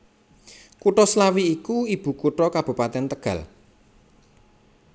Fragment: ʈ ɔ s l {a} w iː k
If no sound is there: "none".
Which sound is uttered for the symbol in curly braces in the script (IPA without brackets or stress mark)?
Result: a